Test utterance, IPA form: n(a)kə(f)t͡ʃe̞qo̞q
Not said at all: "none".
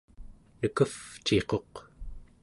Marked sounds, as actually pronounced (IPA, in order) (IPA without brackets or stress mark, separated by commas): ə, f